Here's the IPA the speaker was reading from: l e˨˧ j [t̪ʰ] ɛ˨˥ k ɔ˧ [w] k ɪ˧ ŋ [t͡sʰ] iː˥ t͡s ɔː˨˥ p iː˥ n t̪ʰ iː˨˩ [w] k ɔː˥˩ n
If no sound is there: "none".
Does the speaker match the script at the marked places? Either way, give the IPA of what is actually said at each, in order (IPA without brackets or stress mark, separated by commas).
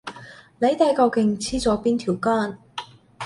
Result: t̪, w, t͡sʰ, w